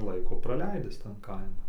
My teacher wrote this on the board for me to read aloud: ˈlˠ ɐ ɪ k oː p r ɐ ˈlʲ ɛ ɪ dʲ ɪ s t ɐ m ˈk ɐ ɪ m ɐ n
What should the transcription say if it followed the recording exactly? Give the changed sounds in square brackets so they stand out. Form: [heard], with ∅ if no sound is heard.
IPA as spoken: ˈlˠ ɐ ɪ k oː p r ɐ ˈlʲ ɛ ɪ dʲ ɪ s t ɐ [n] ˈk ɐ ɪ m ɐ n